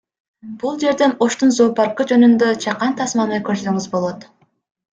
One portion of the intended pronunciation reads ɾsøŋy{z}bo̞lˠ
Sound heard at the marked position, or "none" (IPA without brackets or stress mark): z